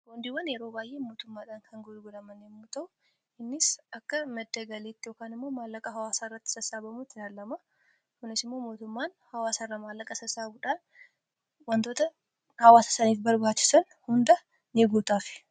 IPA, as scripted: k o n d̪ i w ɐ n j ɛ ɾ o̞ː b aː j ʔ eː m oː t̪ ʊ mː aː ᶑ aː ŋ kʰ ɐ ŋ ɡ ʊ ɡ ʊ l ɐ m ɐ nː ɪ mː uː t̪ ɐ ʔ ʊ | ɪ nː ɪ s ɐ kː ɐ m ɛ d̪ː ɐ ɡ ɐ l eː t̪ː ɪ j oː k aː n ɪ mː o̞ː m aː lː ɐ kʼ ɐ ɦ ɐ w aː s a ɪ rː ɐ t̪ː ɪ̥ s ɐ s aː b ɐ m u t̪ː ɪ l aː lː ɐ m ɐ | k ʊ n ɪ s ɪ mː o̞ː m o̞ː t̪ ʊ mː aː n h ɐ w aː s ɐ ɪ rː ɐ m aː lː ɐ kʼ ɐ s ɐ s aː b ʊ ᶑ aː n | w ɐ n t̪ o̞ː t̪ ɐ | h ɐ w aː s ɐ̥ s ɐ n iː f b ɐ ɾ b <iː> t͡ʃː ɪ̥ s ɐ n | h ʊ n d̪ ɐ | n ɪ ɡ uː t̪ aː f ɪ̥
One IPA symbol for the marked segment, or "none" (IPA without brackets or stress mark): aː